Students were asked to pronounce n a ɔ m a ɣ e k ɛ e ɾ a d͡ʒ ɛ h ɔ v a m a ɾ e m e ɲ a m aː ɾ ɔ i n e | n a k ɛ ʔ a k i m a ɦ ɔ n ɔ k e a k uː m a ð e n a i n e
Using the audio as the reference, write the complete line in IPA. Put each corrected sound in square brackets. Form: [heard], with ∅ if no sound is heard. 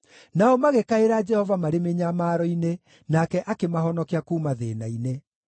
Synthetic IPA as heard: n a ɔ m a ɣ e k [a] e ɾ a d͡ʒ ɛ h ɔ v a m a ɾ e m e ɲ a m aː ɾ ɔ i n e | n a k ɛ ʔ a k [e] m a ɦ ɔ n ɔ k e a k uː m a ð e n a i n e